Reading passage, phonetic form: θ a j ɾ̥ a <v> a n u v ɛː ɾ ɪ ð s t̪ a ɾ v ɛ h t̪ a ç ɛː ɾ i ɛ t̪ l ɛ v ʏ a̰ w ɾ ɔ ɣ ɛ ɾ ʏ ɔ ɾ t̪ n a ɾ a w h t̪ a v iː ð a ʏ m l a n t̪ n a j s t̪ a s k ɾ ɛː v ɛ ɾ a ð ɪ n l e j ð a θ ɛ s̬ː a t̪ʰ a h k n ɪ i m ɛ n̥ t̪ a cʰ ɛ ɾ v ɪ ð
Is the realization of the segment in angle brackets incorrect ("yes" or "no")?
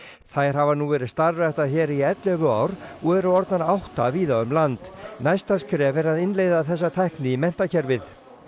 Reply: no